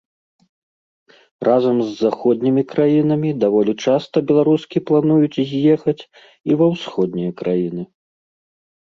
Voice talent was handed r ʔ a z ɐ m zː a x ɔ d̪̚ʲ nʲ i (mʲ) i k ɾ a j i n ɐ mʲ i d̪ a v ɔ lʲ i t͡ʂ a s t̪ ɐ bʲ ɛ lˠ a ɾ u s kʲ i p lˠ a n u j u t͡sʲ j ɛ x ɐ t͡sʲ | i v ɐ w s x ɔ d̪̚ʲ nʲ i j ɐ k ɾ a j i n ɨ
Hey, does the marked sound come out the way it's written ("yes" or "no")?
yes